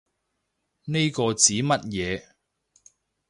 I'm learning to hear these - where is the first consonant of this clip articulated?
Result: tongue tip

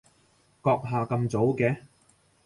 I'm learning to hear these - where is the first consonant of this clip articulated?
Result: velum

